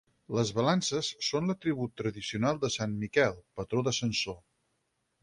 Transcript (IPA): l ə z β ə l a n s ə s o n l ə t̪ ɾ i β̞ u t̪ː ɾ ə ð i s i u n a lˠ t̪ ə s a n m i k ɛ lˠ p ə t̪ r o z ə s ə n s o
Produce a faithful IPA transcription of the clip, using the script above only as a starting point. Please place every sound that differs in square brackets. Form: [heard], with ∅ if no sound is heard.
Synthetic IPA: l ə z β ə l a n s ə [sː] o n l ə t̪ ɾ i β̞ u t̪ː ɾ ə ð i s i u n a lˠ [d̪] ə s a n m i k ɛ lˠ p ə t̪ [ɾ] o [ð] ə s ə n s o